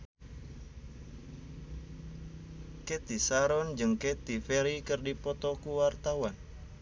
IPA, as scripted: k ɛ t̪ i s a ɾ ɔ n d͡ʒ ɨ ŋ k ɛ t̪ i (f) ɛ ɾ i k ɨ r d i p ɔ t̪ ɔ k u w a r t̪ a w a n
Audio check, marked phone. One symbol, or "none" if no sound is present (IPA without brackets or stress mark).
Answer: f